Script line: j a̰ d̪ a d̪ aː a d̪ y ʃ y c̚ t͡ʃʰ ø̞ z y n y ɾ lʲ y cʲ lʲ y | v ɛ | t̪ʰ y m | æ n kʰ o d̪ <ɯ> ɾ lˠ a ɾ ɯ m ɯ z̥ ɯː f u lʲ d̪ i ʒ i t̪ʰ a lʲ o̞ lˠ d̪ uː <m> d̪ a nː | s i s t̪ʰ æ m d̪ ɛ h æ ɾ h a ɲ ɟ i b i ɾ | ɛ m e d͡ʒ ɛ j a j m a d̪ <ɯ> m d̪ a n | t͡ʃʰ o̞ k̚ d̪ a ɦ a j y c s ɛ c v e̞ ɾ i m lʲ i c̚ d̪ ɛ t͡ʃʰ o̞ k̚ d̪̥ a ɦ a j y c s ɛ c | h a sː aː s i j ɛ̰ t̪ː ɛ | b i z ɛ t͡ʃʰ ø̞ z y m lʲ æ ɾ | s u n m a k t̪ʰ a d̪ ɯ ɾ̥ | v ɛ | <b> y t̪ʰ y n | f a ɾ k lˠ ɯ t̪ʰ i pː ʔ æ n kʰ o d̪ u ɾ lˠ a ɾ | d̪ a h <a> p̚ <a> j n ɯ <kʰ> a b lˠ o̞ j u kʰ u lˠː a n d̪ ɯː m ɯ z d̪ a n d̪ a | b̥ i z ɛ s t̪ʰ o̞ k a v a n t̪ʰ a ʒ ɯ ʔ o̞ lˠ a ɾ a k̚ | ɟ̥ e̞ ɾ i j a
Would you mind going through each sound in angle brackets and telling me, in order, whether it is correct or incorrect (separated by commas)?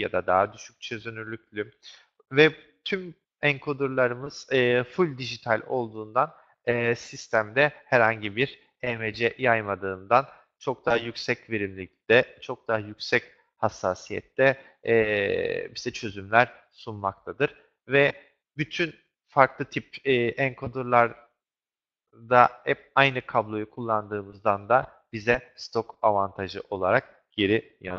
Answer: incorrect, incorrect, incorrect, correct, incorrect, correct, correct